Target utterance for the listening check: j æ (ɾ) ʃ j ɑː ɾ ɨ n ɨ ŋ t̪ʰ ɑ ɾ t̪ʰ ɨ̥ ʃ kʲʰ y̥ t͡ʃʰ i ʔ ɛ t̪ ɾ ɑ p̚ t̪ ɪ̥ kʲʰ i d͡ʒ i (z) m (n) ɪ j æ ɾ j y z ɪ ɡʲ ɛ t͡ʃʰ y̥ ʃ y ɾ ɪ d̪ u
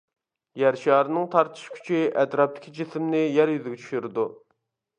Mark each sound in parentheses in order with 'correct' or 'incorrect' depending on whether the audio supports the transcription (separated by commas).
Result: correct, incorrect, correct